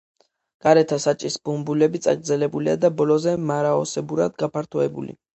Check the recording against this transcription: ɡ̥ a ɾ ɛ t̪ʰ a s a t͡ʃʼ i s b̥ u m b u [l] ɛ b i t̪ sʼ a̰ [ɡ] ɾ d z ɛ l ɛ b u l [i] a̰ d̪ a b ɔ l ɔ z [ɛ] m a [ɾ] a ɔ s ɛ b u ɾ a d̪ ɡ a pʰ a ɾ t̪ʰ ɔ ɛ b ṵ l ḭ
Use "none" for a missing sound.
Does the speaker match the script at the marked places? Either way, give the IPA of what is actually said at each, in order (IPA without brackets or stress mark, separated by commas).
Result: l, ɡ, i, ɛ, ɾ